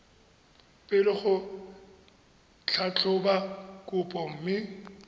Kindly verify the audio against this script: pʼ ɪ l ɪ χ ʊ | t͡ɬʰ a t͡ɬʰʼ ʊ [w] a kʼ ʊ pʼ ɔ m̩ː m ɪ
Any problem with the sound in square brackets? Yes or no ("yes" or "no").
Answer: yes